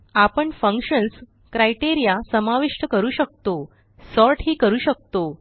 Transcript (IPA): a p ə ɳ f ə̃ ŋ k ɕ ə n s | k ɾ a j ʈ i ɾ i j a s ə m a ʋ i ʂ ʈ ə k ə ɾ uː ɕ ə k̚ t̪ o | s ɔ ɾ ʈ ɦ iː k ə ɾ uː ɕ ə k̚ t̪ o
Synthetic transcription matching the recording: a p ə ɳ f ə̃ ŋ k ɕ ə n s | k ɾ a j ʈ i ɾ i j a s ə m a ʋ i ʂ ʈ ə k ə ɾ uː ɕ ə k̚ t̪ o | s ɔ ɾ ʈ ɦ iː k ə ɾ uː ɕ ə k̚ t̪ o

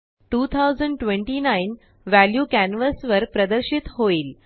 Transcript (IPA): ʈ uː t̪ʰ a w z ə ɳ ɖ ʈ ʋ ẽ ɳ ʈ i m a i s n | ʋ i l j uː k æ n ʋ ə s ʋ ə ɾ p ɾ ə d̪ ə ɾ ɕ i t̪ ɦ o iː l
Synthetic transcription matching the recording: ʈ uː t̪ʰ a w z ə ɳ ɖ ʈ ʋ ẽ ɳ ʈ i n a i n | ʋ æ l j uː k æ n ʋ ə s ʋ ə ɾ p ɾ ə d̪ ə ɾ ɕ i t̪ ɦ o iː l

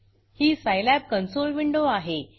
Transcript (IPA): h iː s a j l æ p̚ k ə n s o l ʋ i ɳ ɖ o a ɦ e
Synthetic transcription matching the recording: h iː s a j l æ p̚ k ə n s o l ʋ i ɳ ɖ o a ɦ e

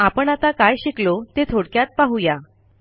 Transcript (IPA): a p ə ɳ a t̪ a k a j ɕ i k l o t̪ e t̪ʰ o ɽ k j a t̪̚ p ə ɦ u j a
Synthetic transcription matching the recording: a p ə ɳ a t̪ a k a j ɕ i k l o t̪ e t̪ʰ o ɽ k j a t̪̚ p a ɦ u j a

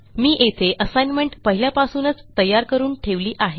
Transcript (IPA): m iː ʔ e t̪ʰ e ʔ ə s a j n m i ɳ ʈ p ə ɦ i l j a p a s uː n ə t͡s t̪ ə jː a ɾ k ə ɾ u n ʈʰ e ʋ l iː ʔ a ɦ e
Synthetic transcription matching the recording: m iː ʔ e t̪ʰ e ʔ ə s a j n m e ɳ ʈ p ə ɦ i l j a p a s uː n ə t͡s t̪ ə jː a ɾ k ə ɾ uː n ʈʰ e ʋ l iː ʔ a ɦ e

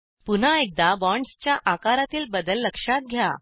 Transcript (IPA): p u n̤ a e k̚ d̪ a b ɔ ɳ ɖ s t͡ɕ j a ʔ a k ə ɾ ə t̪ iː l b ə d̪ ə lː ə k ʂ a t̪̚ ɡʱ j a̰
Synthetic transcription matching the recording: p u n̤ a e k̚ d̪ a b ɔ ɳ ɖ s t͡ɕ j a ʔ a k a ɾ a t̪ iː l b ə d̪ ə lː ə k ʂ a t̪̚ ɡʱ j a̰

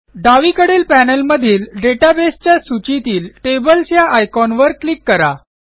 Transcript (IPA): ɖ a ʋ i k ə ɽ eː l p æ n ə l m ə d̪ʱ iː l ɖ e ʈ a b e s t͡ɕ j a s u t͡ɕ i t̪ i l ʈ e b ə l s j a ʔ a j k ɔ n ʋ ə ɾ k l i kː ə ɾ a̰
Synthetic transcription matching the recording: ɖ a ʋ i k ə ɽ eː l p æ n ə l m ə d̪ʱ iː l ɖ e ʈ a b e s t͡ɕ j a s u t͡ɕ i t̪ iː l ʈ e b ə l s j a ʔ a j k ɔ n ʋ ə ɾ k l i kː ə ɾ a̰

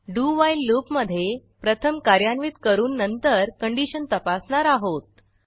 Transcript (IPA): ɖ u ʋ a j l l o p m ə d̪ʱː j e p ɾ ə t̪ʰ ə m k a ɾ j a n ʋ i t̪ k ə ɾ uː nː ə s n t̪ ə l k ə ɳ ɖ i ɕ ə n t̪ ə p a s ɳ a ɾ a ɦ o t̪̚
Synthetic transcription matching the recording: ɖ u ʋ a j l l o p m ə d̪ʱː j e p ɾ ə t̪ʰ ə m k a ɾ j a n ʋ i t̪ k ə ɾ uː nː ə n t̪ ə ɾ k ə ɳ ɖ i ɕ ə n t̪ ə p a s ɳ a ɾ a ɦ o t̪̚

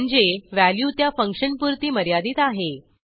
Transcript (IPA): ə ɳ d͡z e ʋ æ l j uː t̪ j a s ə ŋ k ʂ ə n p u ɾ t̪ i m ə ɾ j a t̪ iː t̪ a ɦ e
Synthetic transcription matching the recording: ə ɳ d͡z e ʋ æ l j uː t̪ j a f ə ŋ k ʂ ə n p u ɾ t̪ iː m ə ɾ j a d̪ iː t̪ a ɦ e

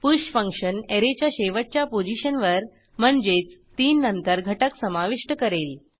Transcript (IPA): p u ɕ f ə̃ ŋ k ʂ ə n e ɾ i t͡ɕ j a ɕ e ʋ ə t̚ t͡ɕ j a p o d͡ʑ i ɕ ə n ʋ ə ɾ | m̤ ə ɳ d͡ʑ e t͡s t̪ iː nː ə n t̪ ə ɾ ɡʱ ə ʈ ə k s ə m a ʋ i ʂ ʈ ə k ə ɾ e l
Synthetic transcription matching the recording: p u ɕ f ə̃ ŋ k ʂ ə n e ɾ e t͡ɕ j a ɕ e ʋ ə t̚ t͡ɕ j a p o d͡ʑ i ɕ ə n ʋ ə ɾ | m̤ ə ɳ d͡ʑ e t͡s t̪ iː nː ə n t̪ ə ɾ ɡʱ ə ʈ ə k s ə m a ʋ i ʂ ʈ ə k ə ɾ e l

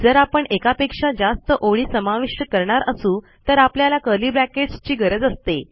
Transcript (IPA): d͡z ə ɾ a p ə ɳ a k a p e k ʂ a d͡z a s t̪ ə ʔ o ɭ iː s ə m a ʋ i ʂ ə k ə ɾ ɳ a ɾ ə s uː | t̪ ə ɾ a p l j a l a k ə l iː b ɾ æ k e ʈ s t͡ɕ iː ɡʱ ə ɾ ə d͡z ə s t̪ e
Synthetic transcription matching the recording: d͡z ə ɾ a p ə ɳ e k a p e k ʂ a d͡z a s t̪ ə ʔ o ɭ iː s ə m a ʋ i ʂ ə k ə ɾ ɳ a ɾ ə s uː | t̪ ə ɾ a p l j a l a k ə l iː b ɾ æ k e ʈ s t͡ɕ iː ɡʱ ə ɾ ə d͡z ə s t̪ e

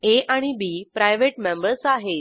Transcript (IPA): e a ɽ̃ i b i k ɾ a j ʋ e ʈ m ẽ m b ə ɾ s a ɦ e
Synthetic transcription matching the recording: e a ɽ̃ i b i p ɾ a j ʋ e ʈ m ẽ m b ə ɾ s a ɦ e

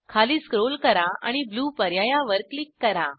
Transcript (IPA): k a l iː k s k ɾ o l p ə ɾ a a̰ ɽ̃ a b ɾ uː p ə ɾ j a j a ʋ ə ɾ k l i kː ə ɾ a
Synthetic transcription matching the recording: kʰ a l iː s k ɾ o l k ə ɾ a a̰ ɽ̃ i b l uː p ə ɾ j a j a ʋ ə ɾ k l i kː ə ɾ a

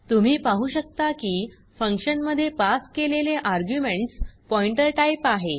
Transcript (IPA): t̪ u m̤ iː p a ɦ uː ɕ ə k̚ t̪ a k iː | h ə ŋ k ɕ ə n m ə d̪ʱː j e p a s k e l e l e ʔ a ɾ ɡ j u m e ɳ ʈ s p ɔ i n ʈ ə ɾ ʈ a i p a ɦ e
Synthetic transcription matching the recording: t̪ u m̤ iː p a ɦ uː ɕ ə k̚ t̪ a k iː | f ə ŋ k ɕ ə n m ə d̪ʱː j e p a s k e l e l e ʔ a ɾ ɡ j u m e ɳ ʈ s p ɔ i ɳ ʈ ə ɾ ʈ a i p a ɦ e

